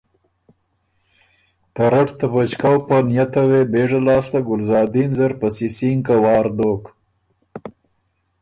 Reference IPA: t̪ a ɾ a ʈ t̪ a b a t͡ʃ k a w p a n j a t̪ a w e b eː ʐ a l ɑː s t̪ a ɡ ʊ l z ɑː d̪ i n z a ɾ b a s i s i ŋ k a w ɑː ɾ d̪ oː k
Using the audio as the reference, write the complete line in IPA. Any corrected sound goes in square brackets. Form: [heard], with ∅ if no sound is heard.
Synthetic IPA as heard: t̪ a ɾ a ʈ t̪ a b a t͡ʃ k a w p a n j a t̪ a w e b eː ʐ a l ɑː s t̪ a ɡ ʊ l z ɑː d̪ i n z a ɾ [p] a s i s i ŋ k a w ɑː ɾ d̪ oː k